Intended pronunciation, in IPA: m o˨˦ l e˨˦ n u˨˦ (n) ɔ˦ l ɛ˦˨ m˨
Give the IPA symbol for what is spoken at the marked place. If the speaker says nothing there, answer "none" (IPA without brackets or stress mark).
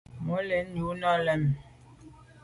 n